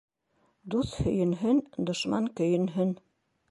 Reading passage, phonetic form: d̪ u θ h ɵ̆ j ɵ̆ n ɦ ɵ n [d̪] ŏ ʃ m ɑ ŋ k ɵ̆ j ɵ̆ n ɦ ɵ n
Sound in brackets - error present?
no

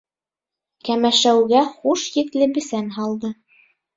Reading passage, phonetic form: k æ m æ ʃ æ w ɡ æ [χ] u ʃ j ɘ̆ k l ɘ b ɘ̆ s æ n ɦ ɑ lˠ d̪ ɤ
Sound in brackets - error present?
no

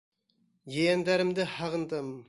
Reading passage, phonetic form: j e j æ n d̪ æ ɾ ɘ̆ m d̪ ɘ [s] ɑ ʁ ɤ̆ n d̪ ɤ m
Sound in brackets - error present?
yes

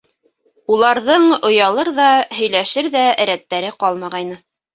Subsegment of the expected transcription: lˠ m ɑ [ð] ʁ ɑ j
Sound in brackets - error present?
yes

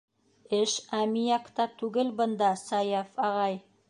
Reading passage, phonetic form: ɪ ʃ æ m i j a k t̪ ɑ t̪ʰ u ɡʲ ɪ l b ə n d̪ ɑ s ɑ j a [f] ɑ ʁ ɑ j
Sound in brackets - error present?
no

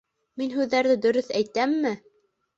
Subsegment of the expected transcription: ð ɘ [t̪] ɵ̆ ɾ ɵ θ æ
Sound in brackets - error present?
yes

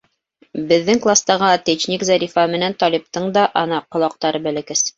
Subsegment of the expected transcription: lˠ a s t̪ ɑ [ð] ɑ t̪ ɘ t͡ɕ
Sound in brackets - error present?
yes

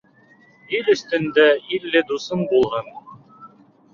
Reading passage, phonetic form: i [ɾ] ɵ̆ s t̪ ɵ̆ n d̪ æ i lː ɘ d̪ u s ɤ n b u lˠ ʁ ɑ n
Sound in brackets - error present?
yes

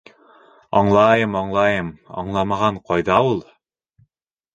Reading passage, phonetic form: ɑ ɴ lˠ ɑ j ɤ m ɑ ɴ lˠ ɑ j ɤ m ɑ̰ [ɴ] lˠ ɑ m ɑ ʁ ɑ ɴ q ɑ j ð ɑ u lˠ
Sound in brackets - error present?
no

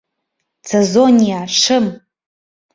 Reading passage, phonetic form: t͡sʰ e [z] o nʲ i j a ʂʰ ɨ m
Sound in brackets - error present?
no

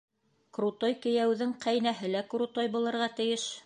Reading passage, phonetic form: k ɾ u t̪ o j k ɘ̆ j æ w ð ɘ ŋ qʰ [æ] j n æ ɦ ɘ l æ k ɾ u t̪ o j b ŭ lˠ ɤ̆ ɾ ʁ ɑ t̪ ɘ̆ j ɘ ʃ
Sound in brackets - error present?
no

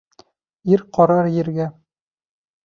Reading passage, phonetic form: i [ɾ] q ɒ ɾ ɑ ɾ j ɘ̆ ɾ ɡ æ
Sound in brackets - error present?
no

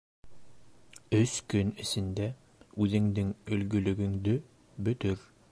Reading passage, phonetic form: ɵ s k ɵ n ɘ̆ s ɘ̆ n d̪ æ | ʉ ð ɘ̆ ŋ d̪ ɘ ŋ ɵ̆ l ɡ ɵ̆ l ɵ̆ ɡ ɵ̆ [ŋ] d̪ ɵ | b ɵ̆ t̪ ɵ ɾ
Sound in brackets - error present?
no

